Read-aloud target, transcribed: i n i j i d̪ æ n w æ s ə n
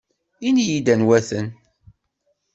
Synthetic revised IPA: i n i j i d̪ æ n w æ θ ə n